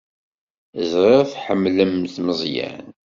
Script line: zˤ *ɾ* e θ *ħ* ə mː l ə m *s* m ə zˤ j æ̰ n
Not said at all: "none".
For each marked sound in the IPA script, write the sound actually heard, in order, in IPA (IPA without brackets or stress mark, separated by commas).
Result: ɾ, ħ, θ